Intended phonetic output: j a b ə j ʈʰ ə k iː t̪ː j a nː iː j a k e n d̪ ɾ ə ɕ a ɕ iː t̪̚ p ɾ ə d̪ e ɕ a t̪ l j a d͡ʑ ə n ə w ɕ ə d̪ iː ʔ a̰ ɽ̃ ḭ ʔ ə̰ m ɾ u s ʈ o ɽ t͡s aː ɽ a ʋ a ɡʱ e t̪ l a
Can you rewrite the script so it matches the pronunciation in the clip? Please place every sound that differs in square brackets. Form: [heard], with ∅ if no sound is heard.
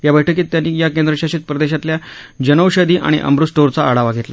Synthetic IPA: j a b ə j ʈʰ ə k iː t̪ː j a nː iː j a k e n d̪ ɾ ə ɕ a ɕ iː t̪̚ p ɾ ə d̪ e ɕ a t̪ l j a d͡ʑ ə n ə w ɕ ə d̪ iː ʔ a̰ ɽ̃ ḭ ʔ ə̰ m ɾ u s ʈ o [ɾ] t͡s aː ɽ a ʋ a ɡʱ e t̪ l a

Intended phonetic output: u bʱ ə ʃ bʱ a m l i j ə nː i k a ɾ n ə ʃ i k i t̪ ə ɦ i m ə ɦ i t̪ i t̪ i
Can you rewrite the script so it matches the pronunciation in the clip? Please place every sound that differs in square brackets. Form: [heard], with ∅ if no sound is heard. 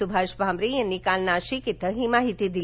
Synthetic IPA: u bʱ [a] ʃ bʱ a m [ɾ] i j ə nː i k a [l] n [a] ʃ i k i t̪ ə ɦ i m [a] ɦ i t̪ i [d̪] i

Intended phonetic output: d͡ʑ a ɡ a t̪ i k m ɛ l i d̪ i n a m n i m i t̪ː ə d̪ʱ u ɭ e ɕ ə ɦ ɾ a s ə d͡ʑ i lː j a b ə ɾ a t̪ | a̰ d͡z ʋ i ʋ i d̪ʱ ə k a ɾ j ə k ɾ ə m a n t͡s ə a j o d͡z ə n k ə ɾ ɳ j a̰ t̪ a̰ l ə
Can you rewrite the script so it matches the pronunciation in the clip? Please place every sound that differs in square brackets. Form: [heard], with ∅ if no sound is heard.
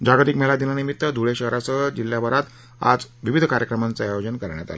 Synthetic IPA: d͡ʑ a ɡ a t̪ i k m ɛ l [a] d̪ i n a [∅] n i m i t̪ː ə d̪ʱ u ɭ e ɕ ə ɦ ɾ a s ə d͡ʑ i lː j a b ə ɾ a t̪ | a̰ d͡z ʋ i ʋ i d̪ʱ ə k a ɾ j ə k ɾ ə m a n t͡s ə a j o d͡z ə n k ə ɾ ɳ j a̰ t̪ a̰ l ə

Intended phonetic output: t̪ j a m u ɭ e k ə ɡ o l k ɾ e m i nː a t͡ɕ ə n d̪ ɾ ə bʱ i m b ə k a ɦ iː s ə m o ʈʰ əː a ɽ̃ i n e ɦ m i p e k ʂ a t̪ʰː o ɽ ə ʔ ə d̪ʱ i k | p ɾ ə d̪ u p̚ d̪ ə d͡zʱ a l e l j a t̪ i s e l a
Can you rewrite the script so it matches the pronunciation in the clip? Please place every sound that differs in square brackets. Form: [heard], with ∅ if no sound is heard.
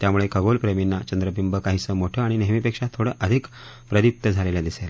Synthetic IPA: t̪ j a m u ɭ e k ə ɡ o l [p] ɾ e m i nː a t͡ɕ ə n d̪ ɾ ə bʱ i m b ə k a ɦ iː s ə m o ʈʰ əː a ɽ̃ i n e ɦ m i p e k ʂ a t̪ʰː o ɽ ə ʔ ə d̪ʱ i k | p ɾ ə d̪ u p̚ [t̪] ə d͡zʱ a l e l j a [d̪] i s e l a

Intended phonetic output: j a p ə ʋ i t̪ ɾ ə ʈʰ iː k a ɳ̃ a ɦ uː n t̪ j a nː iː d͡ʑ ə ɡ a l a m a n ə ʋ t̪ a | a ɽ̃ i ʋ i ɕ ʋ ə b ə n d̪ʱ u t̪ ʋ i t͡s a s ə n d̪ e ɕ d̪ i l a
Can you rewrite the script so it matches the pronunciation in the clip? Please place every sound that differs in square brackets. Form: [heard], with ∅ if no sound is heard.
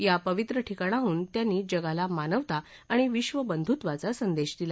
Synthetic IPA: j a p ə ʋ i t̪ ɾ ə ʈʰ [i] k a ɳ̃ a ɦ uː n t̪ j a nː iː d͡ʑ ə ɡ a l a m a n ə ʋ t̪ a | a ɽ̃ i ʋ i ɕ ʋ ə b ə n d̪ʱ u t̪ ʋ [a] t͡s a s ə n d̪ e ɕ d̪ i l a

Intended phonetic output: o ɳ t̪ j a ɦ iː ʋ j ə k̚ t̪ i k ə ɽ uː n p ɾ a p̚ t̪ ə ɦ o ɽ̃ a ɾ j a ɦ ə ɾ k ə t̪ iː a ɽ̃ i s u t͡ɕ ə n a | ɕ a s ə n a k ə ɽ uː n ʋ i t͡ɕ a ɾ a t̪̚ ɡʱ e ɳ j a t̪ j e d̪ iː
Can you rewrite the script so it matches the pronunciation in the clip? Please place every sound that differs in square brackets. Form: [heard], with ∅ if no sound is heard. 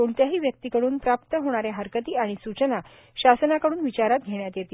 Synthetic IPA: o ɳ t̪ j a ɦ iː ʋ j ə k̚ t̪ i k ə ɽ uː n p ɾ a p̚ t̪ ə ɦ o ɽ̃ a ɾ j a ɦ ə ɾ k ə t̪ iː a ɽ̃ i s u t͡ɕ ə n a | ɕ a s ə n a k ə ɽ uː n ʋ i t͡ɕ a ɾ a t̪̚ ɡʱ e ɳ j a t̪ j e [t̪] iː

